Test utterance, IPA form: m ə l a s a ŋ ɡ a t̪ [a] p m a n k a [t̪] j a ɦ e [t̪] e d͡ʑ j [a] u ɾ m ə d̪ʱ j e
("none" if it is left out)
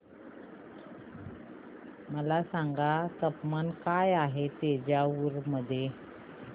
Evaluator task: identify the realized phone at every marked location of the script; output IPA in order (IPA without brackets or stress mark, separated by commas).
ə, none, t̪, a